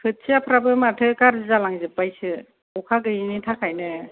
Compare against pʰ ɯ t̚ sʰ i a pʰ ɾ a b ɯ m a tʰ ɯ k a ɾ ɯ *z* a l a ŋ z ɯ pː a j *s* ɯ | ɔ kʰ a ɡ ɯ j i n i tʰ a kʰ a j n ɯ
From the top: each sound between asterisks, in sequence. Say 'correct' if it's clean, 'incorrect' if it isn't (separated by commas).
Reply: correct, correct